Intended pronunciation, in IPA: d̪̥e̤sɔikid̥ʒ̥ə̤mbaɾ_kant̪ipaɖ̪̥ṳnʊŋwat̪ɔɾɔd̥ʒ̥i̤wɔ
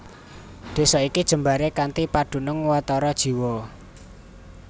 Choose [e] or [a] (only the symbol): e